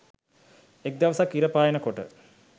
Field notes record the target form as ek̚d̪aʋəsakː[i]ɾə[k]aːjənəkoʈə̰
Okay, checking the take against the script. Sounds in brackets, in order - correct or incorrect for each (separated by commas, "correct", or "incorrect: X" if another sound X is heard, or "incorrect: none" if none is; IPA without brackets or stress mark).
correct, incorrect: p